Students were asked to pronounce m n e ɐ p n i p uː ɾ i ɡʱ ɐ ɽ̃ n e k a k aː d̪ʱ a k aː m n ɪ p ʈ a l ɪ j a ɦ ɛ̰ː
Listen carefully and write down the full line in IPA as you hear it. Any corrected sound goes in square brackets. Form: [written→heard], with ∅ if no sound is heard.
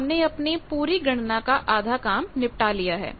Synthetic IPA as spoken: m n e ɐ p n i p uː ɾ i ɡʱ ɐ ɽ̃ n [e→a] k a [k→ʔ] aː d̪ʱ a k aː m n ɪ p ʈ a l [ɪ→i] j a ɦ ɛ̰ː